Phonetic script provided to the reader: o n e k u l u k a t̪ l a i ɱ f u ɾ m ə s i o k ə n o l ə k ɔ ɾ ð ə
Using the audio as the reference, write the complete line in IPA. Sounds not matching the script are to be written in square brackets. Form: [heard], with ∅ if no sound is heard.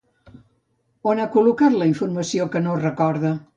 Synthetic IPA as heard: o n [a] k u l u k a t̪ l [ə] i ɱ f u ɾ m ə s i o k ə n o [r] ə k ɔ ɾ ð ə